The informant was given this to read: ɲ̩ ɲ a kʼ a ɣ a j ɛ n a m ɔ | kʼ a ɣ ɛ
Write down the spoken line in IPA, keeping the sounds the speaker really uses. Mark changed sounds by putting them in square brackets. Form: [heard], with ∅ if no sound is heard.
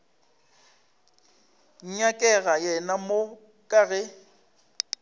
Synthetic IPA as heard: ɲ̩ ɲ a kʼ [ɛ] ɣ a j ɛ n a m [o] | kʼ a ɣ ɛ